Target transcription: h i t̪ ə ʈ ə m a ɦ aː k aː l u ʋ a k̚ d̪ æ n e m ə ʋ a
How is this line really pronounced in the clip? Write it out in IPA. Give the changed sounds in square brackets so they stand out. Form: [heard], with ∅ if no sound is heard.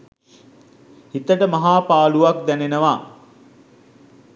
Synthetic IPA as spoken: h i t̪ ə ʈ ə m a ɦ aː [p] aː l u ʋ a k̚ d̪ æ n e [n] ə ʋ a